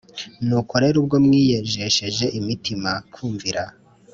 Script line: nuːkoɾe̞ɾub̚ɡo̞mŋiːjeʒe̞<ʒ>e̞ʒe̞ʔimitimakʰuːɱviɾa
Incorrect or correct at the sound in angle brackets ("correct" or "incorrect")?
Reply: incorrect